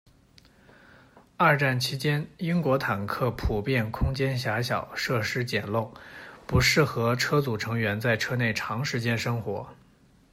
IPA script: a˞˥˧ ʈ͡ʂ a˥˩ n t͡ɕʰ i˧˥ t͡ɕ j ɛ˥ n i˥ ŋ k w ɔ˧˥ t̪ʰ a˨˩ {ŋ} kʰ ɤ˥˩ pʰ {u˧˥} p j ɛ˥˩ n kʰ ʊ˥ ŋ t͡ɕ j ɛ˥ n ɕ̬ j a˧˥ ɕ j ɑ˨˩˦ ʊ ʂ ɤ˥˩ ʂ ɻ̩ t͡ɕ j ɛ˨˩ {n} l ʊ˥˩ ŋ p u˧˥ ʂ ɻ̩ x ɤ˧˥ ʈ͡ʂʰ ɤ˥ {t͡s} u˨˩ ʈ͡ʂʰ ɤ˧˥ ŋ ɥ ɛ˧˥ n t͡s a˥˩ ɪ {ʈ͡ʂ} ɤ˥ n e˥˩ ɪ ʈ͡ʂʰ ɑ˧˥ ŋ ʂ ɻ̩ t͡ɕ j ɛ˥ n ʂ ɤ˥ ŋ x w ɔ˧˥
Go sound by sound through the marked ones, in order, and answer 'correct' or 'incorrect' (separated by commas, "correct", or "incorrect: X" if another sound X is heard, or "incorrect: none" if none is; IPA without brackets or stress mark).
incorrect: n, incorrect: u˨˩, correct, correct, incorrect: ʈ͡ʂʰ